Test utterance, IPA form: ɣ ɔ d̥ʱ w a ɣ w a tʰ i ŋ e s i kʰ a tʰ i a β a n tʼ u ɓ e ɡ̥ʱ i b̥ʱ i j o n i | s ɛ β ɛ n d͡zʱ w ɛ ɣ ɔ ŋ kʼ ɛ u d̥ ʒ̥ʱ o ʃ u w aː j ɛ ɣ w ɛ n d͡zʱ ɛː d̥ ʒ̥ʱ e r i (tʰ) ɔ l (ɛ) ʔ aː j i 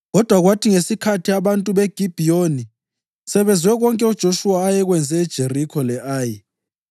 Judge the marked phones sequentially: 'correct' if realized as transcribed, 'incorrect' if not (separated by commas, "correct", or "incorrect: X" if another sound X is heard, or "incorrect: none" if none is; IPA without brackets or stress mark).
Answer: incorrect: kʰ, correct